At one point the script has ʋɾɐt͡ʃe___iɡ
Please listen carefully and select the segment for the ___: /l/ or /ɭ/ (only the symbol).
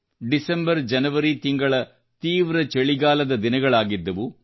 ɭ